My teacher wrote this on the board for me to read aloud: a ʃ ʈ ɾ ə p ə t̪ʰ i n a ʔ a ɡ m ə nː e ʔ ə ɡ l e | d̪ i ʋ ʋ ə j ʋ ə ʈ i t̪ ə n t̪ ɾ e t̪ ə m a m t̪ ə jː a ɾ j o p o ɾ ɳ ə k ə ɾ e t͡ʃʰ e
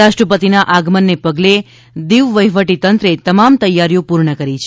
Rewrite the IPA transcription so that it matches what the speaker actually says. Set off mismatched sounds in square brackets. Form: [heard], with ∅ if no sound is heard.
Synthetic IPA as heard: a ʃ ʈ ɾ ə p ə [t̪] i n a ʔ a ɡ m ə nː e [p] ə ɡ l e | d̪ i ʋ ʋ ə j ʋ ə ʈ i t̪ ə n t̪ ɾ e t̪ ə m a m t̪ ə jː a ɾ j o p [u] ɾ ɳ ə k ə ɾ [i] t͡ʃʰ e